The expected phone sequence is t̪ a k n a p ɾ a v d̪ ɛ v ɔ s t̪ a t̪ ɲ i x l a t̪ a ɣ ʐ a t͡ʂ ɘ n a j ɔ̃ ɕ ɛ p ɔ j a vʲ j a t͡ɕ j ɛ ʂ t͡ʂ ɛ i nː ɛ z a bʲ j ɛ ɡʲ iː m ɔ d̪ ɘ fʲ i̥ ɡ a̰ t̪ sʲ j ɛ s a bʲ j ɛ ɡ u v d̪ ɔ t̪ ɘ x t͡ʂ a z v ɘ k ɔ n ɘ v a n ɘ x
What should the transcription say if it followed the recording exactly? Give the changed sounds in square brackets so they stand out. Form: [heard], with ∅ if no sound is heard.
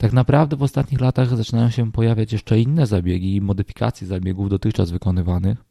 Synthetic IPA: t̪ a k n a p ɾ a v d̪ ɛ v ɔ s t̪ a t̪ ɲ i x l a t̪ a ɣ [z] a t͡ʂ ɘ n a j ɔ̃ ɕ ɛ p ɔ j a vʲ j a t͡ɕ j ɛ ʂ t͡ʂ ɛ i nː ɛ z a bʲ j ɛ ɡʲ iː m ɔ d̪ ɘ fʲ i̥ [k] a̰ t̪ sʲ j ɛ [z] a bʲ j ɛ ɡ u v d̪ ɔ t̪ ɘ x t͡ʂ a z v ɘ k ɔ n ɘ v a n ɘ x